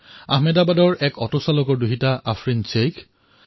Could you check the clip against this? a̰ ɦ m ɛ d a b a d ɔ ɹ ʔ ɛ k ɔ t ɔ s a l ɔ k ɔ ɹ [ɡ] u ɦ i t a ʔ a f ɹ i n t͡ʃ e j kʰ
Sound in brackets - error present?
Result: yes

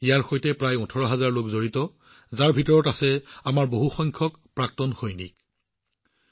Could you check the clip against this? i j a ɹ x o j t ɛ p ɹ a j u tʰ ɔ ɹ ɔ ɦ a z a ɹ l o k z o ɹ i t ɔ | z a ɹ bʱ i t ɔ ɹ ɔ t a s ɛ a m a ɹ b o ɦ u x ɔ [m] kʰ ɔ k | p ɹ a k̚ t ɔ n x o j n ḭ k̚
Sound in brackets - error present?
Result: yes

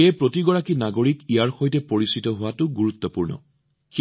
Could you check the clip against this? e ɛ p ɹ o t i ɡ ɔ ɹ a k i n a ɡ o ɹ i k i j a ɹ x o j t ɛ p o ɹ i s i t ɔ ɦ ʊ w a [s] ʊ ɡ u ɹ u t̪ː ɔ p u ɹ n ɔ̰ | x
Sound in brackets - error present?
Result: yes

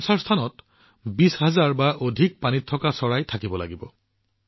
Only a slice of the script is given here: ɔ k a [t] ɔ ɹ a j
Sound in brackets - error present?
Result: yes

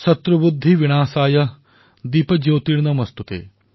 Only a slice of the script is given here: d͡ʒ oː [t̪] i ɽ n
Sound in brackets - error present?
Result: no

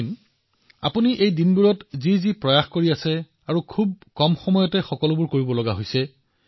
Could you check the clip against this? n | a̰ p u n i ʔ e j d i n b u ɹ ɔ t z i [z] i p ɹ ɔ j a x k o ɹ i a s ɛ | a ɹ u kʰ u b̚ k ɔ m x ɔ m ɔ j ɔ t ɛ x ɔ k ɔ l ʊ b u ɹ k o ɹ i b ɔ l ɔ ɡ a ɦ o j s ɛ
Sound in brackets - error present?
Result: no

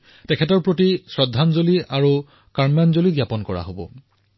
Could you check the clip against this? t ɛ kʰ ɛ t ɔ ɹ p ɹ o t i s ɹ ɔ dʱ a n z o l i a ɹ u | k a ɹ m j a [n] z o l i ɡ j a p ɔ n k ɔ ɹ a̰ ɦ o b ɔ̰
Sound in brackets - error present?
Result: no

